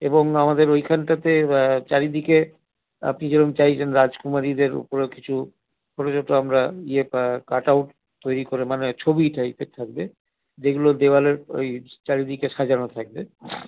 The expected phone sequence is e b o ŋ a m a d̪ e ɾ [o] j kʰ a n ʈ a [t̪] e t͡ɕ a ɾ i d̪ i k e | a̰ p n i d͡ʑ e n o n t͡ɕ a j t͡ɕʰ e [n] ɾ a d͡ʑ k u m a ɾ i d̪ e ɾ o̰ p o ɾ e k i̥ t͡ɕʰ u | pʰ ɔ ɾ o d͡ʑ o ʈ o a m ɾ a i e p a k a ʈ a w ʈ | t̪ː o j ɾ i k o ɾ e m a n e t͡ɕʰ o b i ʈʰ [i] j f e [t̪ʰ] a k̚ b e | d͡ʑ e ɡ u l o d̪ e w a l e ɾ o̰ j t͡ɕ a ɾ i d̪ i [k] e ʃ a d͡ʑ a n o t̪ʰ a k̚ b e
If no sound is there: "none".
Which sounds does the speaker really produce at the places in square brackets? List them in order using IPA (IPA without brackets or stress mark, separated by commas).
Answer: o, t̪, n, a, t̪ʰ, k